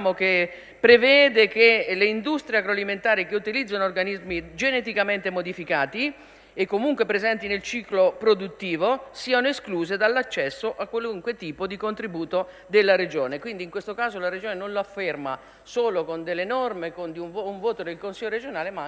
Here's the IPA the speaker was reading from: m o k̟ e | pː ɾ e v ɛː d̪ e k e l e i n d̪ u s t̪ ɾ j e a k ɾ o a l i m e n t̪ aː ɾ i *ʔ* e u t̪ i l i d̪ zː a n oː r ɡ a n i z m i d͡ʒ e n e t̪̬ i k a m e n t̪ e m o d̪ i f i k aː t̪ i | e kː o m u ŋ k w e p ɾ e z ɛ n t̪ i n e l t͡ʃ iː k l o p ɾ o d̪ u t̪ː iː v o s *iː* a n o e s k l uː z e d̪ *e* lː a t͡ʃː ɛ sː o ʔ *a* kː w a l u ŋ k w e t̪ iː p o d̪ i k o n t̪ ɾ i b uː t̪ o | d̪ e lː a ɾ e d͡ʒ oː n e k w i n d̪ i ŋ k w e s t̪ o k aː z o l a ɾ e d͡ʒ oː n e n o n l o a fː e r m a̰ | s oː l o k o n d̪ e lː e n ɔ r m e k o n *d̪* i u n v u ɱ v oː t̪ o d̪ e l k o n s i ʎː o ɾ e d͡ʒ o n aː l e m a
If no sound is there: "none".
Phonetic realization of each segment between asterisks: k, iː, a, a, d̪

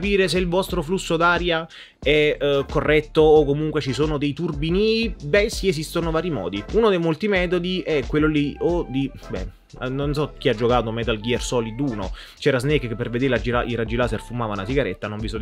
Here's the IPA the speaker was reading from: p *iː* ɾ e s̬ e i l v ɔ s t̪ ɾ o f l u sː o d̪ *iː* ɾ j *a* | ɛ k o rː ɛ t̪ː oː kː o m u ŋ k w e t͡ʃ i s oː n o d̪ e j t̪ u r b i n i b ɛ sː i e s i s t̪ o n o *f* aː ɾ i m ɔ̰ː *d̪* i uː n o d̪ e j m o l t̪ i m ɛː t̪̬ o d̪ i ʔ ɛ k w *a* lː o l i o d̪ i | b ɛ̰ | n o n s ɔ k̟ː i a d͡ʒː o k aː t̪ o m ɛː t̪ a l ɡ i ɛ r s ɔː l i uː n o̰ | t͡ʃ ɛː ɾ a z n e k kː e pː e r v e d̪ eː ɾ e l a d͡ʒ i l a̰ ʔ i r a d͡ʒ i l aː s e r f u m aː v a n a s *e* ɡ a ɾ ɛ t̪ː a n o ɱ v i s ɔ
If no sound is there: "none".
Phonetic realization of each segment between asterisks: iː, aː, a, v, d̪, e, i

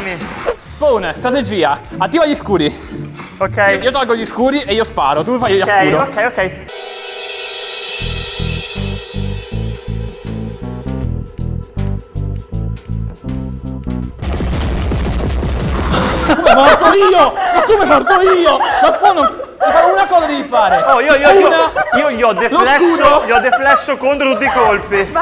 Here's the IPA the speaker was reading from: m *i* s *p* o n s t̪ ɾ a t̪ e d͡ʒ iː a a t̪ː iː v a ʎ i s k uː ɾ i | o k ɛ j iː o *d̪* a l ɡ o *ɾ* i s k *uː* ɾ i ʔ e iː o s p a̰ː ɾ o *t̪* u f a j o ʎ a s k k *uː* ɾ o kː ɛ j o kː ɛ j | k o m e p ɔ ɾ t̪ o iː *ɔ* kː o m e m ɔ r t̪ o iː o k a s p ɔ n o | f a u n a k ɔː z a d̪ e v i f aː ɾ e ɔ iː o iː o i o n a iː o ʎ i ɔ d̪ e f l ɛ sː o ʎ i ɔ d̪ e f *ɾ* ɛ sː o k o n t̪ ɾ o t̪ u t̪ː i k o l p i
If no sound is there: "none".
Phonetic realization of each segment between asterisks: i, p, t̪, ʎ, uː, t̪, uː, o, l

